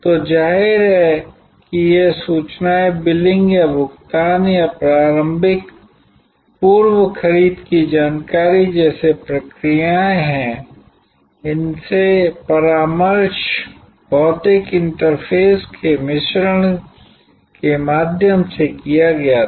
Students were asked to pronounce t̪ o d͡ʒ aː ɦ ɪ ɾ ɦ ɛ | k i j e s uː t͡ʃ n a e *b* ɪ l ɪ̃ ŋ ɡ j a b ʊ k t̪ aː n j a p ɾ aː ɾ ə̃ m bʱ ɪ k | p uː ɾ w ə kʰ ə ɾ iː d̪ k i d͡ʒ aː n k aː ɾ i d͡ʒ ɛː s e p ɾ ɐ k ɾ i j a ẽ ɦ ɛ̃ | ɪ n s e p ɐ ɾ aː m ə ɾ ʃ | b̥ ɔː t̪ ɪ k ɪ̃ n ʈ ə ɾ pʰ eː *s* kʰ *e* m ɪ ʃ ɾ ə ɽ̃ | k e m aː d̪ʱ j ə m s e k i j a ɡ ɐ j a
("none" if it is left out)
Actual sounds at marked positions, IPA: b, s, e

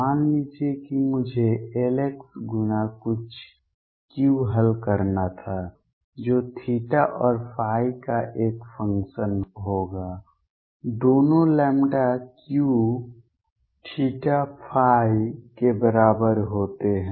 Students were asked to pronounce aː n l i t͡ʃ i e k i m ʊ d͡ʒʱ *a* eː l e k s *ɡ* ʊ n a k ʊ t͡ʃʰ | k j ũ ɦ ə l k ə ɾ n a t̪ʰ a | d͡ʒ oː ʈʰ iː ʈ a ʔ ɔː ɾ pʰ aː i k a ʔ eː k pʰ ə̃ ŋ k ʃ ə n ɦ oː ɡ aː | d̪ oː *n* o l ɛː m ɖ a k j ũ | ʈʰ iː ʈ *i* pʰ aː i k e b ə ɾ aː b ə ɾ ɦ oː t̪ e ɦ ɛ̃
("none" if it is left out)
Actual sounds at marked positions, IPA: e, ɡ, n, a

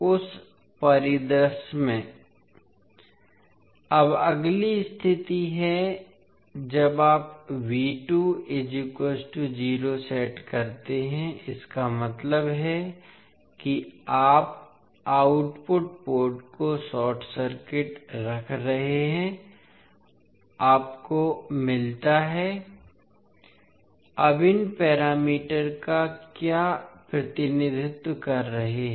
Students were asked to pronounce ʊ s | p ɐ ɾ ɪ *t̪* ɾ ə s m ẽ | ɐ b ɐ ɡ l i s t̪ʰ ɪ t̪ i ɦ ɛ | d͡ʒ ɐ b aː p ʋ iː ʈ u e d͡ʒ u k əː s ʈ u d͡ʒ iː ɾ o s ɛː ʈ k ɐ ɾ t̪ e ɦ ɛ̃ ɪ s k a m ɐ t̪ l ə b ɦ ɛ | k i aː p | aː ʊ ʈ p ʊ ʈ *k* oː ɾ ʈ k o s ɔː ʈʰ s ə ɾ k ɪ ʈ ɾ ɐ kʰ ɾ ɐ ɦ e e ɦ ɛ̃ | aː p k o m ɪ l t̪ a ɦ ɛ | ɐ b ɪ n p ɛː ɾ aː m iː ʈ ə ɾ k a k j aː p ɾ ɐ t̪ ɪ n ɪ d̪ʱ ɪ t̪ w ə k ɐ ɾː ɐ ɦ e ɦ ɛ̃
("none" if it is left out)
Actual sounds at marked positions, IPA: d̪, p

